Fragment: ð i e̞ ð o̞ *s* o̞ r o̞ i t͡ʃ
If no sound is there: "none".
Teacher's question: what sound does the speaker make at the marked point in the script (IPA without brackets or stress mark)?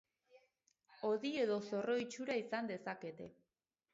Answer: s